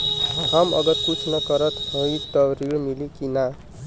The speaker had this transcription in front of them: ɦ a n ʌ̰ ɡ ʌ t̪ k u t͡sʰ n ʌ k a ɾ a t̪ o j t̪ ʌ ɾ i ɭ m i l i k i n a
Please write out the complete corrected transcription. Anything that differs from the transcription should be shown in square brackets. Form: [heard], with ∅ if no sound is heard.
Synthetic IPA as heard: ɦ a [m] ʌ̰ ɡ ʌ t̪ k u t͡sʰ n ʌ k [ʌ] ɾ [ʌ] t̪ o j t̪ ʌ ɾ i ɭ m i l i k i n a